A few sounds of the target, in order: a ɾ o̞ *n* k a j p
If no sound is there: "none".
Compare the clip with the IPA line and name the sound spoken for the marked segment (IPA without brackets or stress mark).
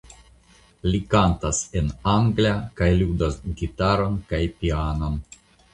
n